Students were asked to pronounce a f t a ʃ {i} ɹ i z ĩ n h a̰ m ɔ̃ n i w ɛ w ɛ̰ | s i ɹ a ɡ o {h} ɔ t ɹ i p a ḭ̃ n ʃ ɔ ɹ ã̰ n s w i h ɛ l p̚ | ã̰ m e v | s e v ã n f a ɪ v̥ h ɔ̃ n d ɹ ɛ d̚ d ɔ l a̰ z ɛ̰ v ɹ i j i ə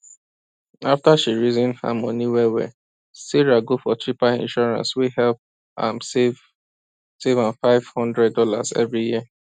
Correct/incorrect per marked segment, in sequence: correct, incorrect

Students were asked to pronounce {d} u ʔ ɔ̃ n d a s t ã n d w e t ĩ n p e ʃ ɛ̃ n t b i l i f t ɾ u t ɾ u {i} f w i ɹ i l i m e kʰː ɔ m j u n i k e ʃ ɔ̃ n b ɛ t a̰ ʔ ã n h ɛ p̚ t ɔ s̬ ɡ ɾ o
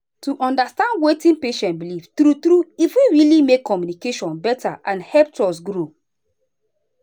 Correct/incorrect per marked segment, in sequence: incorrect, correct

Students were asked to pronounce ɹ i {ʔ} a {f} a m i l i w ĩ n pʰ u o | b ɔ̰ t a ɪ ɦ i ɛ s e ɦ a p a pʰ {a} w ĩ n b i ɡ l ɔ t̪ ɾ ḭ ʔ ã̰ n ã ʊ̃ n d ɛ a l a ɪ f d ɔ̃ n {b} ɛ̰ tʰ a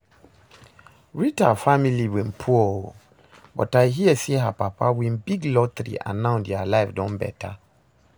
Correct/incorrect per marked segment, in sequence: incorrect, correct, correct, correct

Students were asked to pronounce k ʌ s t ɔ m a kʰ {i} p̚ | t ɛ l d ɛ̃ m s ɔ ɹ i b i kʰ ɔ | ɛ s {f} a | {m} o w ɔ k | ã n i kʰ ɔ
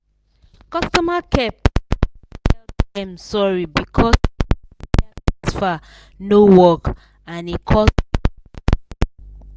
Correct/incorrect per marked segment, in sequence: incorrect, correct, incorrect

